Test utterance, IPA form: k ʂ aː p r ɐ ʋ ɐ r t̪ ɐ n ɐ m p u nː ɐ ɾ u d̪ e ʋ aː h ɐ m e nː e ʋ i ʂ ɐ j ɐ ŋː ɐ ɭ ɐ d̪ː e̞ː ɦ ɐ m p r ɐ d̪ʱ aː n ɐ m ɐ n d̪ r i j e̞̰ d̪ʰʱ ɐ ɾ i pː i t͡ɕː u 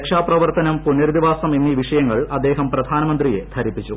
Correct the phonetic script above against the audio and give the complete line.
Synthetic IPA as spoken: k ʂ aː p r ɐ ʋ ɐ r t̪ ɐ n ɐ m p u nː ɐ ɾ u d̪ i ʋ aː s ɐ m e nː i ʋ i ʂ ɐ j ɐ ŋː ɐ ɭ ɐ d̪ː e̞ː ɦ ɐ m p r ɐ d̪ʱ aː n ɐ m ɐ n d̪ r i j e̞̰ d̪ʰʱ ɐ ɾ i pː i t͡ɕː u